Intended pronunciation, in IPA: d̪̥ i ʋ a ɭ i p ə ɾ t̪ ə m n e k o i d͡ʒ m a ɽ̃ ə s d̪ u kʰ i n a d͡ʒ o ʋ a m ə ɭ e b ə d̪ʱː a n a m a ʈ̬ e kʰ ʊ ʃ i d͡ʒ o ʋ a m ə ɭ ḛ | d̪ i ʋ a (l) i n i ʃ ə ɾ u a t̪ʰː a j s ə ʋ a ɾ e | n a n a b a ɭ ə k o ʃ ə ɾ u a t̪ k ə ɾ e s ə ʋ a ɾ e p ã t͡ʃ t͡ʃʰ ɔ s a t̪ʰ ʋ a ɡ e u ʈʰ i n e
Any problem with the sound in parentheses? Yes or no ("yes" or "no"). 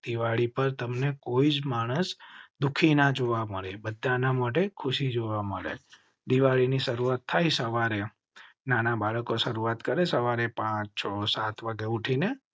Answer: yes